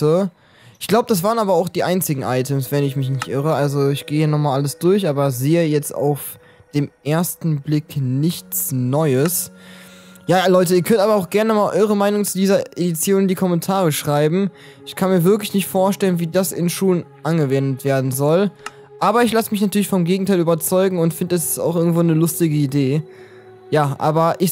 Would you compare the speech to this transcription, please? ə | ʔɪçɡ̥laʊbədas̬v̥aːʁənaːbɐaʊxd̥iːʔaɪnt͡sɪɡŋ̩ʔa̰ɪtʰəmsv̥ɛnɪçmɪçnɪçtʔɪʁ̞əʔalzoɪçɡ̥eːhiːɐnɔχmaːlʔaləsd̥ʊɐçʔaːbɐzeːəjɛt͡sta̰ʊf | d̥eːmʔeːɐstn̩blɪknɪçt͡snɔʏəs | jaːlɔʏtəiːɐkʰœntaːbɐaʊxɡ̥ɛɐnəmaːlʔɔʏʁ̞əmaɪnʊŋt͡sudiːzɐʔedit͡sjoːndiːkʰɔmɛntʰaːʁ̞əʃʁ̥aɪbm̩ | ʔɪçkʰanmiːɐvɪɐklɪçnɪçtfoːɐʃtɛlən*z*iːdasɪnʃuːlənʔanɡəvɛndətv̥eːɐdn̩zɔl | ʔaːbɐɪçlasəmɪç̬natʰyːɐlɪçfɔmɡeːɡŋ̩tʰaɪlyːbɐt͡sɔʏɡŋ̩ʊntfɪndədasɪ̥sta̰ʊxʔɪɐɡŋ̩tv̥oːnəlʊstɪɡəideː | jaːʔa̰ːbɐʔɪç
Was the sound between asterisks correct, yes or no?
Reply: no